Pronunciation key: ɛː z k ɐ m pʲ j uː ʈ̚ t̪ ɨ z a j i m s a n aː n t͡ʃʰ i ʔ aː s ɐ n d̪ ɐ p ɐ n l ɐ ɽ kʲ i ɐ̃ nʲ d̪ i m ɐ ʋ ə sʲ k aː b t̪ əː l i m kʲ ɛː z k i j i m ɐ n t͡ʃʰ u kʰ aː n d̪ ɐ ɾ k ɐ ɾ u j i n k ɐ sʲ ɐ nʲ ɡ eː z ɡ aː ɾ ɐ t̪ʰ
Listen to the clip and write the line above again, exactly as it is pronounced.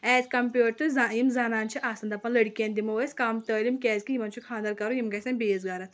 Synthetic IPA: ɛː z k ɐ m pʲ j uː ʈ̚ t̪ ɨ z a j i m z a n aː n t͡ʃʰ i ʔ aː s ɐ n d̪ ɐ p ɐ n l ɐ ɽ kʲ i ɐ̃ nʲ d̪ i m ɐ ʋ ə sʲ k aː m t̪ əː l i m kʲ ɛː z k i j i m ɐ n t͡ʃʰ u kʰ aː n d̪ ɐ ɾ k ɐ ɾ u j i m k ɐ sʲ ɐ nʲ b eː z ɡ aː ɾ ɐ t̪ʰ